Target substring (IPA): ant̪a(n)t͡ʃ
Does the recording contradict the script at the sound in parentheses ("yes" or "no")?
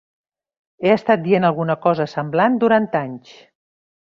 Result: yes